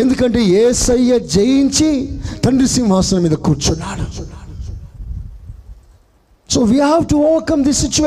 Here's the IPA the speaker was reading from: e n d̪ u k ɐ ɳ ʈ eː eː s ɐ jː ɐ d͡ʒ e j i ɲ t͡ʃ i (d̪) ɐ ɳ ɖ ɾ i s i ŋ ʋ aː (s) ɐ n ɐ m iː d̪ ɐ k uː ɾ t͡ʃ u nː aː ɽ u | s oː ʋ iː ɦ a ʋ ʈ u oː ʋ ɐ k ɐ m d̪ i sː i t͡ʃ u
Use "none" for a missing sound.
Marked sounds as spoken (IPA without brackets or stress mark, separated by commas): t̪, s